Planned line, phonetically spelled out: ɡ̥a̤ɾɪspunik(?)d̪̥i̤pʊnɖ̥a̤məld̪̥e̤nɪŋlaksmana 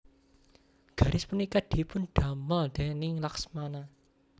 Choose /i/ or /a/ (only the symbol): a